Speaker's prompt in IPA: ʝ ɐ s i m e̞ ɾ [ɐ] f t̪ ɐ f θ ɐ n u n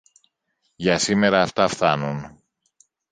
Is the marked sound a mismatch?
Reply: yes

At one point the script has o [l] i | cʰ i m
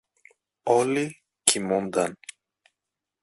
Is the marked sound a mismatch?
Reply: no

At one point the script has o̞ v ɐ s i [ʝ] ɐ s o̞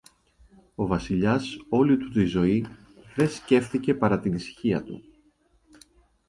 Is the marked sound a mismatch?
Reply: yes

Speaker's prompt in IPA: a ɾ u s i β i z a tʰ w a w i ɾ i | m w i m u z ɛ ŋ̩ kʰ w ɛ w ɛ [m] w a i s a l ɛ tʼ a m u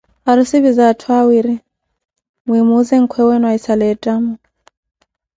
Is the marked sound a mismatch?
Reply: yes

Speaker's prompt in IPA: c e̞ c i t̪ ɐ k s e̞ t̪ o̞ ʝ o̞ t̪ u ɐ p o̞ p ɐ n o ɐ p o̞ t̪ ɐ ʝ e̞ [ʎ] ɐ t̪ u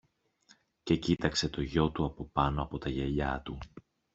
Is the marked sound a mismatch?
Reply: no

